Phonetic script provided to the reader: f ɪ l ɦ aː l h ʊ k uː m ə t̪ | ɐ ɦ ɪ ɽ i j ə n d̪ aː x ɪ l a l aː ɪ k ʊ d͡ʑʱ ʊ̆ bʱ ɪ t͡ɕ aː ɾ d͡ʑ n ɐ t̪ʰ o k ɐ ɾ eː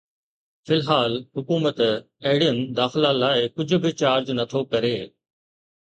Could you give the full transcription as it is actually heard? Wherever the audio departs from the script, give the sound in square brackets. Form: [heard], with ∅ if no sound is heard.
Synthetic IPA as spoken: f ɪ l ɦ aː l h ʊ k uː m ə t̪ | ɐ ɦ ɪ ɽ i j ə n d̪ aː x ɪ l a l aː ɪ k ʊ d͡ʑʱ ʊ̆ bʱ ɪ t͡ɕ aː ɾ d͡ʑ n ɐ t̪ʰ o k ɐ ɾ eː